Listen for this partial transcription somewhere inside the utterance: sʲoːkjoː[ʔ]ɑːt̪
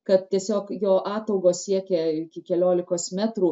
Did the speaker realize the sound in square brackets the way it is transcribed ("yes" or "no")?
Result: yes